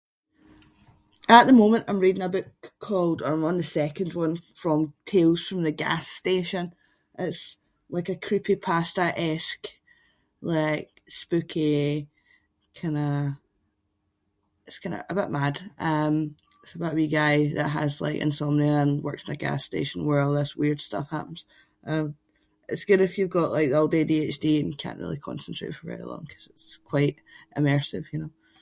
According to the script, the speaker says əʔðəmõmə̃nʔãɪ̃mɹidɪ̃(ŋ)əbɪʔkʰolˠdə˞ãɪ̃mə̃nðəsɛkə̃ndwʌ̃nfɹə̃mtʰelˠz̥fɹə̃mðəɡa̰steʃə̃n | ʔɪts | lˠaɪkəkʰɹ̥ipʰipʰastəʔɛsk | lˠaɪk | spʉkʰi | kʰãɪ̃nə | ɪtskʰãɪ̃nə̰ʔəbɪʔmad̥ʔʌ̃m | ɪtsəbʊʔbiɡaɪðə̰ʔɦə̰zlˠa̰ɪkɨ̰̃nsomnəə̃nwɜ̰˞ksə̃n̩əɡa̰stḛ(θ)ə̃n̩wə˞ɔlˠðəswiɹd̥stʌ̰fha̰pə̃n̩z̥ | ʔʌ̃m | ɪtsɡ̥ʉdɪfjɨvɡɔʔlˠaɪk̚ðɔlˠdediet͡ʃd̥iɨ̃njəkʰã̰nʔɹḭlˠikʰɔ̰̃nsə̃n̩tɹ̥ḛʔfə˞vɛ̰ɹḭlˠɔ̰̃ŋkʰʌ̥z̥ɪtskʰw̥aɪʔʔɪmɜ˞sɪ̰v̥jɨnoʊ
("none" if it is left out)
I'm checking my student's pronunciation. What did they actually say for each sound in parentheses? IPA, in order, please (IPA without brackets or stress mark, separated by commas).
ŋ, ʃ